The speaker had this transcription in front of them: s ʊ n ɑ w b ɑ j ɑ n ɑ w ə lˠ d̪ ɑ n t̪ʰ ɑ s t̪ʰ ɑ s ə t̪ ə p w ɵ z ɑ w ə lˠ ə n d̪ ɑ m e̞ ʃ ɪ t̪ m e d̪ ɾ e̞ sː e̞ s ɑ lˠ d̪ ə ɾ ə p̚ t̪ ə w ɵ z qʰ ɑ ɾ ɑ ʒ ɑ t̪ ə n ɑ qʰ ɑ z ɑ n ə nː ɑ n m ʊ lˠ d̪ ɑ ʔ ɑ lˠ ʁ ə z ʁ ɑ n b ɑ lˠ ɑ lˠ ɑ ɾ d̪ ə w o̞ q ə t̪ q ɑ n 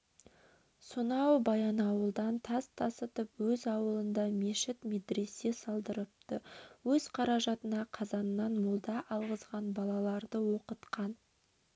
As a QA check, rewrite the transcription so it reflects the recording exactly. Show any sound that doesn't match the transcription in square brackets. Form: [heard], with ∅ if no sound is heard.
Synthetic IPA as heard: s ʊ n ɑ w b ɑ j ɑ n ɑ w ə lˠ d̪ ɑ n t̪ʰ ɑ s t̪ʰ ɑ s ə t̪ ə p w ɵ z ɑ w ə lˠ ə n d̪ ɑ m e̞ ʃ ɪ t̪ m e d̪ ɾ e̞ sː e̞ s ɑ lˠ d̪ ə ɾ ə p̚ t̪ ə w ɵ z qʰ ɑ ɾ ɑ ʒ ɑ t̪ ə n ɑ qʰ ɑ z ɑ n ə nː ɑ n m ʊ lˠ d̪ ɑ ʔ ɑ lˠ ʁ ə z ʁ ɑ n b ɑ lˠ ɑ lˠ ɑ ɾ d̪ ə w o̞ q ə t̪ q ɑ n